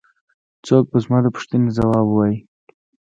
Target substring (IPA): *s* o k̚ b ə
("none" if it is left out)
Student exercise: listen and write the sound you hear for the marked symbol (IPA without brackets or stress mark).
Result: t͡s